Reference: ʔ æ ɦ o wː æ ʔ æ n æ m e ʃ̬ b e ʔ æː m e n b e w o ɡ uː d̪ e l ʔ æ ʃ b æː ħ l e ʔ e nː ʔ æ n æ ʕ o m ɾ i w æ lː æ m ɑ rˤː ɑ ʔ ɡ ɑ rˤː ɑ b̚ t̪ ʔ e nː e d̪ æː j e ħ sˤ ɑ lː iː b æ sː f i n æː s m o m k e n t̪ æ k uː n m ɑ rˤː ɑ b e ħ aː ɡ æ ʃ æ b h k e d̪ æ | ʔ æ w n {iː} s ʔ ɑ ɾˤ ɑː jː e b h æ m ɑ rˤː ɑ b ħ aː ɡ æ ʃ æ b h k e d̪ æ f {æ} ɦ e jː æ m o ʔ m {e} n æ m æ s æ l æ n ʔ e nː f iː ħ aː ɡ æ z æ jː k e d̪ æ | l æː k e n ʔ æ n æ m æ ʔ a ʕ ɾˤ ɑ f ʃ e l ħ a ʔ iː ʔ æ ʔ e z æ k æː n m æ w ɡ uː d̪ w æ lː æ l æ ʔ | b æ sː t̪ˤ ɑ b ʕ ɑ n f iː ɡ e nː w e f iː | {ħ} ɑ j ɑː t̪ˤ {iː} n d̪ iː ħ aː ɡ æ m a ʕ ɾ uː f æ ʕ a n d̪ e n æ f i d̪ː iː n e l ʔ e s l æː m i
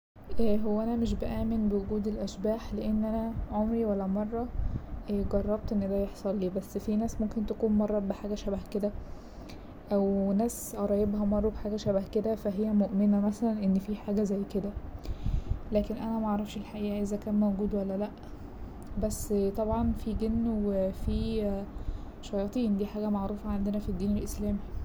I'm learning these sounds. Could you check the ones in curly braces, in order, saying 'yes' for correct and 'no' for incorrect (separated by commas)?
no, yes, yes, no, yes